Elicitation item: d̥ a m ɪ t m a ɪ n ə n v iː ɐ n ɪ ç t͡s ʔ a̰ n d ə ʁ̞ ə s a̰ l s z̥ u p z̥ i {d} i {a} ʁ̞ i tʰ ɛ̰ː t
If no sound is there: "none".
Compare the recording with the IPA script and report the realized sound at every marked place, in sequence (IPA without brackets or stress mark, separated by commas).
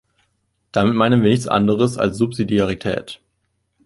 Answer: d, a